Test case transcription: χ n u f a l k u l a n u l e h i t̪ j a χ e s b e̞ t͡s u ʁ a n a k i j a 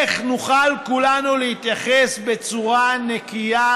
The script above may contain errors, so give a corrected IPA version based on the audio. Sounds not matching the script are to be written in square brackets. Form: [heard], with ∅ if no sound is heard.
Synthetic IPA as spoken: χ n u [χ] a l k u l a n u l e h i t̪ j a χ e s b e̞ t͡s u ʁ a n [e] k i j a